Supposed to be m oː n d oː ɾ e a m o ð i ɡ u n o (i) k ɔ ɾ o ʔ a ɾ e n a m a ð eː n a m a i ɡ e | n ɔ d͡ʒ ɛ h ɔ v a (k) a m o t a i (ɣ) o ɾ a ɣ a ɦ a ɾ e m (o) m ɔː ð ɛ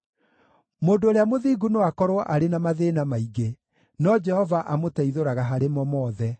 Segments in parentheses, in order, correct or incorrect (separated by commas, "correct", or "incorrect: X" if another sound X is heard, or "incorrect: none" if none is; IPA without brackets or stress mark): incorrect: a, incorrect: ʔ, incorrect: ð, incorrect: ɔ